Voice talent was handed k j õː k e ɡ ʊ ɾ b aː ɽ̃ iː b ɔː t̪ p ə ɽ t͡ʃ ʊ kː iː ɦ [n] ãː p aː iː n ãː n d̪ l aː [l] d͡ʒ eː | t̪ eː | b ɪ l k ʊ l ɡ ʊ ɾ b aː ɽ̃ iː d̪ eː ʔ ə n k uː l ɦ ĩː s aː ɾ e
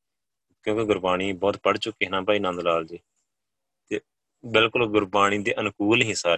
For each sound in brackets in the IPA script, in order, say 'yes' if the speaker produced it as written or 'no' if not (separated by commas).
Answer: yes, yes